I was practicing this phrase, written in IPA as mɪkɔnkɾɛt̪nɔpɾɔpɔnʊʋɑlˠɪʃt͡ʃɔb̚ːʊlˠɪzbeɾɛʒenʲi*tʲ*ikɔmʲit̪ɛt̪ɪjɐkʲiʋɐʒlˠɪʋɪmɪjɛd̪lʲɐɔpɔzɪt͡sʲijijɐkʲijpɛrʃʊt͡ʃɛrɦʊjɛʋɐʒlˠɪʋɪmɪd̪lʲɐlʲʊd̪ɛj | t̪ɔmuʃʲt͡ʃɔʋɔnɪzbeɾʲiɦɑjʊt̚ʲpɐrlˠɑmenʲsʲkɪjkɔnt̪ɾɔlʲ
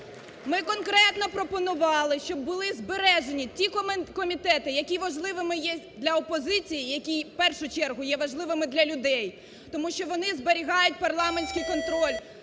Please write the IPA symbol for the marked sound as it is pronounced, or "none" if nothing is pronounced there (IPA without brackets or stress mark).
tʲ